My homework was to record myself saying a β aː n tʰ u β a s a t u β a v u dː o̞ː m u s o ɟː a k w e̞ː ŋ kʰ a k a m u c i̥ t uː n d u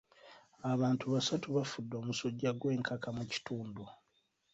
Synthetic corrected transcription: a β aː n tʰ u β a s a t u β a f u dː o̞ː m u s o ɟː a ɡ w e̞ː ŋ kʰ a k a m u c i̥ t uː n d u